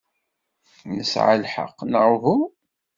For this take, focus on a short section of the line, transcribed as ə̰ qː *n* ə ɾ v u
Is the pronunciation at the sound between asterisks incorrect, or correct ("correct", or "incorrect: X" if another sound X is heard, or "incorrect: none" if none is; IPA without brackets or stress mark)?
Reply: correct